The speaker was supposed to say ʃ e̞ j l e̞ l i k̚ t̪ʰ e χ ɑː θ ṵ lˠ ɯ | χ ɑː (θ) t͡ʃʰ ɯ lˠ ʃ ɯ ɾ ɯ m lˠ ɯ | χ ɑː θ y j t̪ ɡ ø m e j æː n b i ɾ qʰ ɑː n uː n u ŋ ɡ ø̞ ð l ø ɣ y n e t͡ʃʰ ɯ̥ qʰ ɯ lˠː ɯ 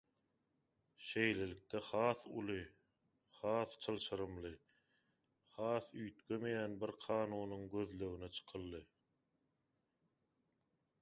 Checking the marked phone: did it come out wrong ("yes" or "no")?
no